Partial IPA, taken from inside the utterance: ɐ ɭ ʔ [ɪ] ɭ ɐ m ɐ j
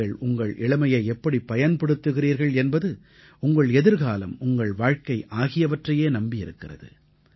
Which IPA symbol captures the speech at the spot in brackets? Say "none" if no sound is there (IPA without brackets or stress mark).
ɪ